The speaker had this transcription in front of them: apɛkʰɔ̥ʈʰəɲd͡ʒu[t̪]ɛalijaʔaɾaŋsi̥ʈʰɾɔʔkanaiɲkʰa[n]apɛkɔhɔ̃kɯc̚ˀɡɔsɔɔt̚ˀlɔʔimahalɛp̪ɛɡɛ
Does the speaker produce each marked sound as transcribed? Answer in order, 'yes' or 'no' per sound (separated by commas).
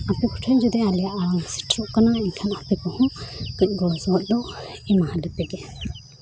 no, yes